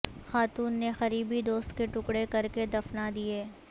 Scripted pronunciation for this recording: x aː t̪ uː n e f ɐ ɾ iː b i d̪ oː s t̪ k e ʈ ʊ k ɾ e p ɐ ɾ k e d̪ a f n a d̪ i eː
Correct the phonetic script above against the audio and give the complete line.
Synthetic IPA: x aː t̪ uː nː e x ɐ ɾ iː b i d̪ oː s t̪ k e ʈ ʊ k ɽ e k ɐ ɾ k e d̪ ɐ f n a d̪ i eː